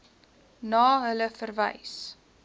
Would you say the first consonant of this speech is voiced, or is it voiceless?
voiced